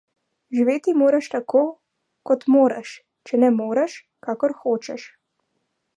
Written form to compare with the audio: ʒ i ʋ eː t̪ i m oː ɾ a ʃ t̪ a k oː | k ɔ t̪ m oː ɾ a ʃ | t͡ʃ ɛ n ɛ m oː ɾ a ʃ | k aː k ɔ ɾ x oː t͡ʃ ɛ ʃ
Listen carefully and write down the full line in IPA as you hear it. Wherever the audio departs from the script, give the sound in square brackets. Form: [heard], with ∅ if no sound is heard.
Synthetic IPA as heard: ʒ i ʋ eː t̪ i m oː ɾ a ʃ t̪ a k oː | k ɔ t̪ m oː ɾ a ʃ | t͡ʃ ɛ n ɛ m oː ɾ a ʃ | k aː k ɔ ɾ x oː t͡ʃ ɛ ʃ